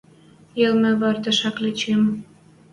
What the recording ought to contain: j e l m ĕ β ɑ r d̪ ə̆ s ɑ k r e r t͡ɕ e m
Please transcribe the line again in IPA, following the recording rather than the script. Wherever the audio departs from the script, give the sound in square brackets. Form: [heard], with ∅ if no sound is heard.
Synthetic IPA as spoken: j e l m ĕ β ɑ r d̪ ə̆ [ʃ] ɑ k [l] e [∅] t͡ɕ e m